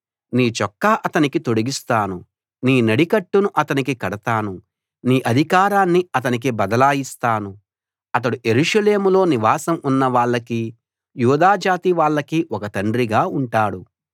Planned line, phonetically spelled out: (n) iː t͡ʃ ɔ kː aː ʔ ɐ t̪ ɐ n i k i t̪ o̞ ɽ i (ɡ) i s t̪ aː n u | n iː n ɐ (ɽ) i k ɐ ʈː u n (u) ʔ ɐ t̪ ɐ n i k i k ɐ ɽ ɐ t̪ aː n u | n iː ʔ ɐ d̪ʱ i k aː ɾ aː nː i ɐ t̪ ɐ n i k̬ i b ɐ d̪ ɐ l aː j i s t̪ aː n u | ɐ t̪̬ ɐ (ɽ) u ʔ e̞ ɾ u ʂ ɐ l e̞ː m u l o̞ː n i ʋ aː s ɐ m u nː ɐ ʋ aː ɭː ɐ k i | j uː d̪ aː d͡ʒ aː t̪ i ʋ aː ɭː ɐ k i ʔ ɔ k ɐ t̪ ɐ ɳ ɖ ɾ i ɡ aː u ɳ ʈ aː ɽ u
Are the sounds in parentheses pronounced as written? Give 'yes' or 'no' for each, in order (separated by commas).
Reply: yes, yes, yes, yes, yes